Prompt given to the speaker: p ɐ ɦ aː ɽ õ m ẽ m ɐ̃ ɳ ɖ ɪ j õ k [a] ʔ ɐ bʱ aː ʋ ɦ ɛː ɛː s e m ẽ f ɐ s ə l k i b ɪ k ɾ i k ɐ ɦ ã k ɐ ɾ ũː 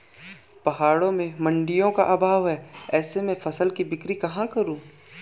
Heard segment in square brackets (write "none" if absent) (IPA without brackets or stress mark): a